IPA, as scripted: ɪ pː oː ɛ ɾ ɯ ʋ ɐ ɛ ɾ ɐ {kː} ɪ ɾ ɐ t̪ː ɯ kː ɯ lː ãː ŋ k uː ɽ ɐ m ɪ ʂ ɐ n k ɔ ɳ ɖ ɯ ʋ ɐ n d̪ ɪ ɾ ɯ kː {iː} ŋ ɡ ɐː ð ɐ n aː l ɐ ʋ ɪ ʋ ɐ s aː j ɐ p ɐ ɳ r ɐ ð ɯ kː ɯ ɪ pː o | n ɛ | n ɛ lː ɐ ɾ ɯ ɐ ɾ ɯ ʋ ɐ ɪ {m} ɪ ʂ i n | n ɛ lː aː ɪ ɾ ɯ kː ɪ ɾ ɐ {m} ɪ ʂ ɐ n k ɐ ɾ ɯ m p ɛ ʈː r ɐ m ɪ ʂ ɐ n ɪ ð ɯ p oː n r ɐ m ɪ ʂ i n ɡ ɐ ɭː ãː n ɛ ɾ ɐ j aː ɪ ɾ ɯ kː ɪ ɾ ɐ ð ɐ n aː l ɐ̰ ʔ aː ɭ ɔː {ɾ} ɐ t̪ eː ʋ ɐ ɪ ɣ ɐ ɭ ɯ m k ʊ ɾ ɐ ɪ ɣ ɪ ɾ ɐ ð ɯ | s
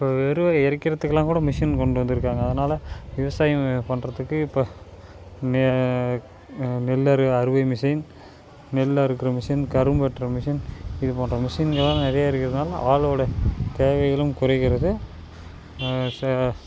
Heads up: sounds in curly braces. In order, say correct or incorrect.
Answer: correct, incorrect, correct, correct, incorrect

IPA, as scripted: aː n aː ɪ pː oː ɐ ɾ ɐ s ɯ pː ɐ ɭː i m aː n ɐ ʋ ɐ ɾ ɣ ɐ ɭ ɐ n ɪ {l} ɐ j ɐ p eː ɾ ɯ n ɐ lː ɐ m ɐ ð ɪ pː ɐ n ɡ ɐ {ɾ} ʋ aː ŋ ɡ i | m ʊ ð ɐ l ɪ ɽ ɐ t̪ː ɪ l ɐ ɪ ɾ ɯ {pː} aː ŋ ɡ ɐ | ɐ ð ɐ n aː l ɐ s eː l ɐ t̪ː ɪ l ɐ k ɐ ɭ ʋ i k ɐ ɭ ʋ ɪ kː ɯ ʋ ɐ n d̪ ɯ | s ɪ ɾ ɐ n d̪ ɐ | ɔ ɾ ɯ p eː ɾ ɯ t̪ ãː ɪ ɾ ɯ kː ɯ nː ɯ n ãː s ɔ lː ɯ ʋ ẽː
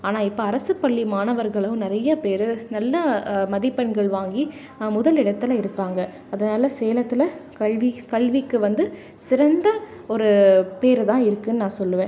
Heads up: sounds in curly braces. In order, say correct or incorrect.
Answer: incorrect, incorrect, incorrect

